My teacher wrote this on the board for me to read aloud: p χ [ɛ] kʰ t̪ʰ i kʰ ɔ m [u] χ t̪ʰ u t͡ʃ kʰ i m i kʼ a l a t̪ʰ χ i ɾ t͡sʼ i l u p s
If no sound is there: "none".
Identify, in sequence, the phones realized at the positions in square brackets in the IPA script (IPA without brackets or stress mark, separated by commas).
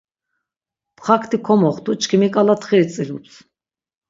a, ɔ